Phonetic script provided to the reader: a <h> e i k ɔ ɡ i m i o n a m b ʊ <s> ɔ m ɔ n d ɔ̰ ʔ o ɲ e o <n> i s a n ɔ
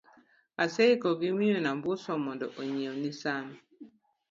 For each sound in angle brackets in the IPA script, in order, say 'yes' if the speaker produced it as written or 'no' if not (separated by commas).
no, yes, yes